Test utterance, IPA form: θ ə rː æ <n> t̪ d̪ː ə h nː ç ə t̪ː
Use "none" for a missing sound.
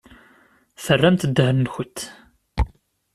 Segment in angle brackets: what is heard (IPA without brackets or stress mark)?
m